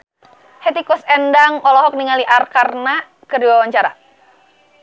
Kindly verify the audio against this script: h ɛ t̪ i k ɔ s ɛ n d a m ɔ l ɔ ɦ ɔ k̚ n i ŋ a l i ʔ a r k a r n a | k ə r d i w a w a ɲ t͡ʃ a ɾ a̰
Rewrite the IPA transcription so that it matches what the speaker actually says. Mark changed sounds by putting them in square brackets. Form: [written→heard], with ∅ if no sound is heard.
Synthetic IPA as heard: h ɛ t̪ i k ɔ s ɛ n d a [m→ŋ] ɔ l ɔ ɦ ɔ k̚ n i ŋ a l i ʔ a r k a r n a | k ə r d i w a w a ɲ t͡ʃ a ɾ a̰